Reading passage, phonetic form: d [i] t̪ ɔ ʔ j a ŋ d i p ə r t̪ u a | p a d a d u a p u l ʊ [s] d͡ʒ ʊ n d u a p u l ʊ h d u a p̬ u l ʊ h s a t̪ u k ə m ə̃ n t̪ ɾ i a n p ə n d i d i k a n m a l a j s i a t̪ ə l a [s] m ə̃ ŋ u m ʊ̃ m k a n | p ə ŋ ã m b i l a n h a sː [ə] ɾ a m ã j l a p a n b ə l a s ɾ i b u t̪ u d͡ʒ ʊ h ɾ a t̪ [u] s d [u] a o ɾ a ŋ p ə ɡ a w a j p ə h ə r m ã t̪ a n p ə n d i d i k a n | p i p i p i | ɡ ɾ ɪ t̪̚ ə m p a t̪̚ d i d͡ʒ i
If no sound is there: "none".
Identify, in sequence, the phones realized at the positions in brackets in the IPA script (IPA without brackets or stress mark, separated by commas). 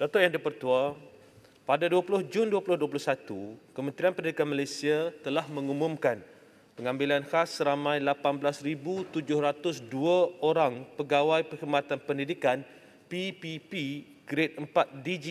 a, h, h, ə, ʊ, u